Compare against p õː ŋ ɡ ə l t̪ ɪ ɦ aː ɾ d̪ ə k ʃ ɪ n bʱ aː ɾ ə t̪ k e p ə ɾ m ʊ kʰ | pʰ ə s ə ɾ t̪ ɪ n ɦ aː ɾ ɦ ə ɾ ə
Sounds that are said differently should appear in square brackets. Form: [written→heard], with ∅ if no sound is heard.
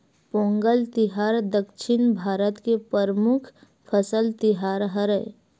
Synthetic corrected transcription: p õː ŋ ɡ ə l t̪ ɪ ɦ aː ɾ d̪ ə k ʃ ɪ n bʱ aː ɾ ə t̪ k e p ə ɾ m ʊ kʰ | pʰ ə s ə [ɾ→l] t̪ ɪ [n→∅] ɦ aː ɾ ɦ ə ɾ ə